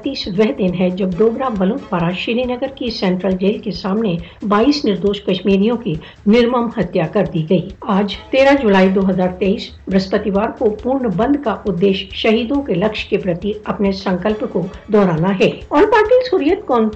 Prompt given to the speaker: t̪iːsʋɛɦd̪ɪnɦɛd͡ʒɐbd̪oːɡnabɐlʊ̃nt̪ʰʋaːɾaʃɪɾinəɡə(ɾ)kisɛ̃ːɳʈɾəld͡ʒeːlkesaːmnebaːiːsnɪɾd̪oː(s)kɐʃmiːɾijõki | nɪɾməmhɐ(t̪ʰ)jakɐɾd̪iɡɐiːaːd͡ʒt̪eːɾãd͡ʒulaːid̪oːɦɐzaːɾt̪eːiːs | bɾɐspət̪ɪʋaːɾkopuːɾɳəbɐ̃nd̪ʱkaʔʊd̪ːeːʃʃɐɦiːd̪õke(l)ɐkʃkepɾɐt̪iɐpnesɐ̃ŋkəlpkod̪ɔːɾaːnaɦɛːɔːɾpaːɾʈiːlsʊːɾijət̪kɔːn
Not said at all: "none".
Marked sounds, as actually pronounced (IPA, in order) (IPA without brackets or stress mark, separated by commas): ɾ, ʃ, t̪, l